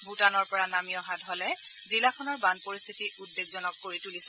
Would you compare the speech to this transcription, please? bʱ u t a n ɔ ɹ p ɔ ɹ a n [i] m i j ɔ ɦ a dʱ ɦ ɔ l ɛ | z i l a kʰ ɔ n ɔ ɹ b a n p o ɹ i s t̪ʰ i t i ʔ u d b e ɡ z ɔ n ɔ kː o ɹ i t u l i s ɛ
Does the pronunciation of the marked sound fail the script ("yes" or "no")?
yes